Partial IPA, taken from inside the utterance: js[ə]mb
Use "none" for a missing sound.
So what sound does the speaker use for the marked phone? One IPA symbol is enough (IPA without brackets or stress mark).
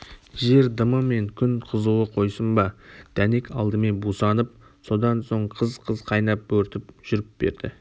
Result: ə